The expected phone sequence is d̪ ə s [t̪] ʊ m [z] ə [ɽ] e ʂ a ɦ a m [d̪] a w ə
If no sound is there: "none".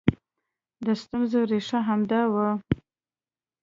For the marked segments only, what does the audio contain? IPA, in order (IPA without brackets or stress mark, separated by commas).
t̪, z, ɾ, d̪